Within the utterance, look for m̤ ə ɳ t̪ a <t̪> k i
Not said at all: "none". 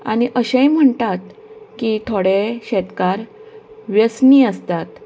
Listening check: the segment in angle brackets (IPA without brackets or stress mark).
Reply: t̪